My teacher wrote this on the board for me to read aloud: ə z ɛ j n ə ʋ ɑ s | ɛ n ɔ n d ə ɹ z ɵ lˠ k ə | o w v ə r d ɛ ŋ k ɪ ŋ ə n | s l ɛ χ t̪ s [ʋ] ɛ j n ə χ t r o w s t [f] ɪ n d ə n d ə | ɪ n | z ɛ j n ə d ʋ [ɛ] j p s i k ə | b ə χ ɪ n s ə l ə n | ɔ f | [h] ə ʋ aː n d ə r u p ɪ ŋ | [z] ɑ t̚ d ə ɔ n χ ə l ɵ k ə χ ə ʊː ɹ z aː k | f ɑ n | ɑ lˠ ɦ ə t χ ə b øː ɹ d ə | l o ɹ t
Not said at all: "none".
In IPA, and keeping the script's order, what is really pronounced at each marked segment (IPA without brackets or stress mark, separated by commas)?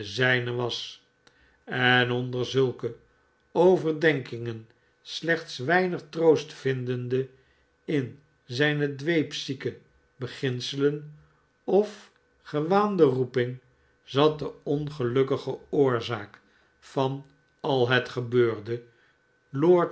ʋ, f, e, χ, z